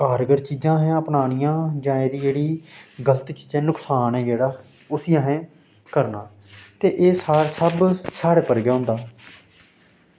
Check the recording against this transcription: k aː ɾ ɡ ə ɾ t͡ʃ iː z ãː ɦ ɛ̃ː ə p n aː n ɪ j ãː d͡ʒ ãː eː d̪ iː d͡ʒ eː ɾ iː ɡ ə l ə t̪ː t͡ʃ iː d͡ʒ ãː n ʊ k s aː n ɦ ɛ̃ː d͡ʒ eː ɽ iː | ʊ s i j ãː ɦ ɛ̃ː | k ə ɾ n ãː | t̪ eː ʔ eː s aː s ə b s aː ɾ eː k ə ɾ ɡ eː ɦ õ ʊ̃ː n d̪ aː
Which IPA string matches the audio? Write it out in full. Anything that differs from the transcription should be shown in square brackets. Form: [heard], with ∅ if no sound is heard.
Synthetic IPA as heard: k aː ɾ ɡ ə ɾ t͡ʃ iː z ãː ɦ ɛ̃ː ə p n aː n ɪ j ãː d͡ʒ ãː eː d̪ iː d͡ʒ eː [ɽ] iː ɡ ə l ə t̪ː t͡ʃ iː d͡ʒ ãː n ʊ k s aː n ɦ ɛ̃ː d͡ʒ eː ɽ [aː] | ʊ s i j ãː ɦ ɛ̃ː | k ə ɾ n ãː | t̪ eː ʔ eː s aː s ə b s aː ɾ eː [p] ə ɾ ɡ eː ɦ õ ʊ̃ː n d̪ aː

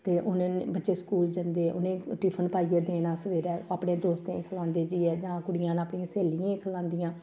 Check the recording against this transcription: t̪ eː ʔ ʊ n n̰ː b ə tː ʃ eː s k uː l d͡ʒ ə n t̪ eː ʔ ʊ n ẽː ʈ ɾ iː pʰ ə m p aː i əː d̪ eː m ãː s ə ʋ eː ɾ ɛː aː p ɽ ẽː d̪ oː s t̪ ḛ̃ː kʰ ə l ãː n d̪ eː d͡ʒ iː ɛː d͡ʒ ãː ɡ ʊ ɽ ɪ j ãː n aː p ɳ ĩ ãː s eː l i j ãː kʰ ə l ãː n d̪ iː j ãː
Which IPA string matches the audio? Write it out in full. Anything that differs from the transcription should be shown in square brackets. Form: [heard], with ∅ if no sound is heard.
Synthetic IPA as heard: t̪ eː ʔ ʊ n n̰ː b ə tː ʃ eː s k uː l d͡ʒ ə n [d̪] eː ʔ ʊ n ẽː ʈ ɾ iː pʰ ə [n] p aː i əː d̪ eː [n] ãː s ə ʋ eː ɾ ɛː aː p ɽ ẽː d̪ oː s t̪ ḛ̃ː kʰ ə l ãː n d̪ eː d͡ʒ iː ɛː d͡ʒ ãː [k] ʊ ɽ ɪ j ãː n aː p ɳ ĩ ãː s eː l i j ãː kʰ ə l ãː n d̪ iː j ãː

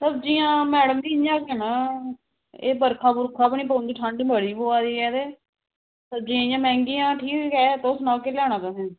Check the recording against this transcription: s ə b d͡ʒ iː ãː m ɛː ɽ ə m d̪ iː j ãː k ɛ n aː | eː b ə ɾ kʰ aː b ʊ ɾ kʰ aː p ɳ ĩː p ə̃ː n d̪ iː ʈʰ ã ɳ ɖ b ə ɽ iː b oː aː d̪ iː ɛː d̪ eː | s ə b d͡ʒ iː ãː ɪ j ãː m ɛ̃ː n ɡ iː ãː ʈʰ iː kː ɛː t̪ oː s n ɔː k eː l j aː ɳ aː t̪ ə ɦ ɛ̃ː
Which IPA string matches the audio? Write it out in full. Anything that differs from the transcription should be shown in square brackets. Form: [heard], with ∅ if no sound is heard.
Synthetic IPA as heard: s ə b d͡ʒ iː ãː m ɛː ɽ ə m d̪ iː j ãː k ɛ n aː | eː b ə ɾ kʰ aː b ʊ ɾ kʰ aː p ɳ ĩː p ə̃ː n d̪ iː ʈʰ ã ɳ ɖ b ə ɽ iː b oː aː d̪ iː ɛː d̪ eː | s ə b d͡ʒ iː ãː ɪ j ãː m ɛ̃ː [ŋ] ɡ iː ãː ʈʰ iː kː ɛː t̪ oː s n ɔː k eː l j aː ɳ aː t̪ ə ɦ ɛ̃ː

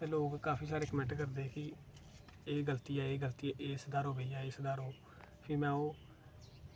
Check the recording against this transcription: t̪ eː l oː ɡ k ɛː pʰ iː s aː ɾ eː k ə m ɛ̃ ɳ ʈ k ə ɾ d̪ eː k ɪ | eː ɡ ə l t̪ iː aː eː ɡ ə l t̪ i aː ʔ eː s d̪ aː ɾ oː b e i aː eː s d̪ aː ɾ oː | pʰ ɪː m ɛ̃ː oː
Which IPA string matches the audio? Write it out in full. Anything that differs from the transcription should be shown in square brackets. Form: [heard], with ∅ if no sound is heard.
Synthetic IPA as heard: t̪ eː l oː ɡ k [aː] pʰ iː s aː ɾ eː k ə m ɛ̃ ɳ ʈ k ə ɾ d̪ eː k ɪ | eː ɡ ə l t̪ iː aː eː ɡ ə l t̪ i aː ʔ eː s d̪ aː ɾ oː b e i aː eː s d̪ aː ɾ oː | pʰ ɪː m ɛ̃ː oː

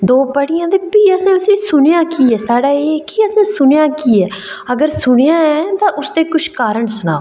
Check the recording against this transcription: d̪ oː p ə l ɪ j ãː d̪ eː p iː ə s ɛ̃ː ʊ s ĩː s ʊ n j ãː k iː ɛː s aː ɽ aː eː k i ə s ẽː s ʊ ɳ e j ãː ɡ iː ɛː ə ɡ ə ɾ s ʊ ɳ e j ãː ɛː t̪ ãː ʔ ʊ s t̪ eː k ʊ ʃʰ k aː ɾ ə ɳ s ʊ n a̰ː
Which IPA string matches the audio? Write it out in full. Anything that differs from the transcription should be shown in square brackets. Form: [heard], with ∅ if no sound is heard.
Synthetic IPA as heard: d̪ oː p ə [ɽ] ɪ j ãː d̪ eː p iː ə s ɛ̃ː ʊ s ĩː s ʊ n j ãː k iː ɛː s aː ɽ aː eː k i ə s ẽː s ʊ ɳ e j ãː [k] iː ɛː ə ɡ ə ɾ s ʊ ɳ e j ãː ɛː t̪ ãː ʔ ʊ s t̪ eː k ʊ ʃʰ k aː ɾ ə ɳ s ʊ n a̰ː

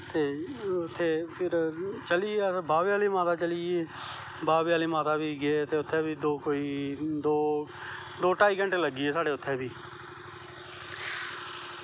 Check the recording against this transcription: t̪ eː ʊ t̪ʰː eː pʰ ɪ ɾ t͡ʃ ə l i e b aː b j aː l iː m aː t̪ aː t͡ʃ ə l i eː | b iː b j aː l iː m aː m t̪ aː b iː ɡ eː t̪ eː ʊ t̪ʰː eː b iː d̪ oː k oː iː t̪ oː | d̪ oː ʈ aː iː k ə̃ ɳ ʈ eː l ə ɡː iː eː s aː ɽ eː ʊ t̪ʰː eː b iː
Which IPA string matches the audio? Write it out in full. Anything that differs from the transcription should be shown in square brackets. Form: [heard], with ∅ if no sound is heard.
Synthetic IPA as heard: t̪ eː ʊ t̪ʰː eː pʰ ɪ ɾ t͡ʃ ə l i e b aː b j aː l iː m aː t̪ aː t͡ʃ ə l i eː | b [aː] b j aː l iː m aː [∅] t̪ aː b iː ɡ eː t̪ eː ʊ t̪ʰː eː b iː d̪ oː k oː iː [d̪] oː | d̪ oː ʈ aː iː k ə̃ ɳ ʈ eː l ə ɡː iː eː s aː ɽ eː ʊ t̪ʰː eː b iː

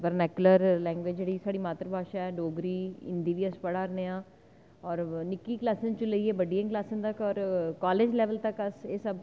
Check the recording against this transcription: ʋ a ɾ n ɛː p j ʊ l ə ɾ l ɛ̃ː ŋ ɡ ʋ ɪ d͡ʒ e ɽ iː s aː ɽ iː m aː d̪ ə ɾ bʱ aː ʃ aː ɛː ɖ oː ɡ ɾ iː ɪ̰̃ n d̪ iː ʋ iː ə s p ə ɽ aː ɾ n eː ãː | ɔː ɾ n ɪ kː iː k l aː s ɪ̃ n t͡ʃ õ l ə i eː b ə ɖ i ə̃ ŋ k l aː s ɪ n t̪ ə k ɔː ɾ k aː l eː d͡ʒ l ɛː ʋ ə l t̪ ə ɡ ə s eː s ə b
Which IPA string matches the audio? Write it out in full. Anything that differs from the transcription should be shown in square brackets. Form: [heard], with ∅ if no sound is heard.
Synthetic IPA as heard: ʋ [ə] ɾ n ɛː [k] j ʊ l ə ɾ l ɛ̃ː ŋ ɡ ʋ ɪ d͡ʒ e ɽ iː s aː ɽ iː m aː [t̪] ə ɾ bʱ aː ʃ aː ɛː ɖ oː ɡ ɾ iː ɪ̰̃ n d̪ iː ʋ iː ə s p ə ɽ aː ɾ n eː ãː | ɔː ɾ n ɪ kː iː k l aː s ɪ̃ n t͡ʃ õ l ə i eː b ə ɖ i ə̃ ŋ k l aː s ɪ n t̪ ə k ɔː ɾ k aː l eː d͡ʒ l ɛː ʋ ə l t̪ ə [k] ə s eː s ə b

